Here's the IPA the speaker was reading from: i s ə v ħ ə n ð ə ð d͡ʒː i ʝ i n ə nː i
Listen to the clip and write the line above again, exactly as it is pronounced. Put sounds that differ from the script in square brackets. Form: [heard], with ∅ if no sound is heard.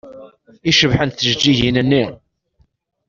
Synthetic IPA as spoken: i [ʃ] ə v ħ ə n [θ] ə [ʒ] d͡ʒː i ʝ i n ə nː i